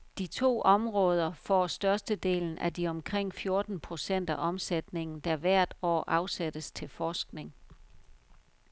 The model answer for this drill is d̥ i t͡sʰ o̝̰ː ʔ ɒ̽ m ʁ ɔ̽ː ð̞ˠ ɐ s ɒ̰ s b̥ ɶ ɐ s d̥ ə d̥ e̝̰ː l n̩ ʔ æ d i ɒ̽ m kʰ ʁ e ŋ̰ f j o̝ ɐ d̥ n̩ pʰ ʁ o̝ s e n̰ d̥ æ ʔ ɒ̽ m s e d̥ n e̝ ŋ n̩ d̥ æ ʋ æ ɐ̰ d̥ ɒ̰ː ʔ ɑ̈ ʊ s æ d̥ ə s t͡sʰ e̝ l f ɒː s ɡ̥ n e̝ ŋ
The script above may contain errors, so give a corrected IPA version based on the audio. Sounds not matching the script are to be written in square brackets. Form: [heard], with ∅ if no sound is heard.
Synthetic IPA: d̥ i t͡sʰ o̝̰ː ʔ ɒ̽ m ʁ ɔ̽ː ð̞ˠ ɐ [f] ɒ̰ s [d̥] ɶ ɐ s d̥ ə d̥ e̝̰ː l n̩ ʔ æ d i ɒ̽ m kʰ ʁ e ŋ̰ f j o̝ ɐ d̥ n̩ pʰ ʁ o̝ s e n̰ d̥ æ ʔ ɒ̽ m s e d̥ n e̝ ŋ n̩ d̥ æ ʋ æ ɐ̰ d̥ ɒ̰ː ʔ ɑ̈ ʊ s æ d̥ ə s t͡sʰ e̝ l f ɒː s ɡ̥ n e̝ ŋ